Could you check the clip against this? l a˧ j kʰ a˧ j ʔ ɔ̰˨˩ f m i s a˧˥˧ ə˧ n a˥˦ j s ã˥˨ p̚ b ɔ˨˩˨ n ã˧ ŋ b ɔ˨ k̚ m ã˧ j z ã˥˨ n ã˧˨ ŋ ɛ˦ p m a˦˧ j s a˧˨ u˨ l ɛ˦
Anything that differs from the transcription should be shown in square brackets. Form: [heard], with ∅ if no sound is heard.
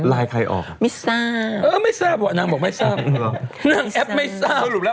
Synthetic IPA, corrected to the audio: l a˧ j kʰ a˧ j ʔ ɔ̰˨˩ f m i s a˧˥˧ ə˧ [m] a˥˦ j s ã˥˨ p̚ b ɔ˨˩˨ n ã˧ ŋ b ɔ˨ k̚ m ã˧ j [s] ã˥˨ n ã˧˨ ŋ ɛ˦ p m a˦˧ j s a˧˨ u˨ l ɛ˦